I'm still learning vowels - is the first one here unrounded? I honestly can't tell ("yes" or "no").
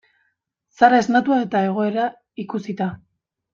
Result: yes